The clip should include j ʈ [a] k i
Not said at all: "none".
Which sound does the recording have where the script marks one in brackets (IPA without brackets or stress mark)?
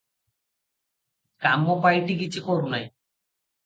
i